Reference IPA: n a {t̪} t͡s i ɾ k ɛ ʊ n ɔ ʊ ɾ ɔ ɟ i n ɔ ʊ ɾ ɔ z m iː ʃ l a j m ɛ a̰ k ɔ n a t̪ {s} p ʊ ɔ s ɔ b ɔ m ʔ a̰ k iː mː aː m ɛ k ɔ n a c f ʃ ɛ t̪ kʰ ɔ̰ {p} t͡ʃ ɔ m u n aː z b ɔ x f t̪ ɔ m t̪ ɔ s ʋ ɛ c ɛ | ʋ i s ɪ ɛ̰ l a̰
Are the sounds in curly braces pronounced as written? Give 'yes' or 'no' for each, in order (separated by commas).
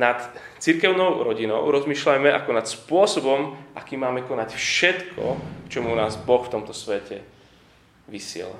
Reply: yes, yes, no